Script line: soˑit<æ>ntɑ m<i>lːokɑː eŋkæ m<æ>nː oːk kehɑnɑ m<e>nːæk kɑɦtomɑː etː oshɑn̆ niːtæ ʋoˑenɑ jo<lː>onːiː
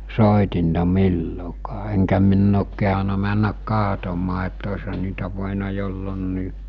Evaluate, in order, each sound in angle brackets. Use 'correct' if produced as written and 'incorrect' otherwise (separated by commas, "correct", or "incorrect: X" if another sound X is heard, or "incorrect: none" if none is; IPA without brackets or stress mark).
incorrect: i, correct, incorrect: i, incorrect: æ, correct